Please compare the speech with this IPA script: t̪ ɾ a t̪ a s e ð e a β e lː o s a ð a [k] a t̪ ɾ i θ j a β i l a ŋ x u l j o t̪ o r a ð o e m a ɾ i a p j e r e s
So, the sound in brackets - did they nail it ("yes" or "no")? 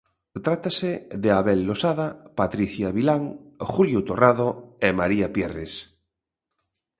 no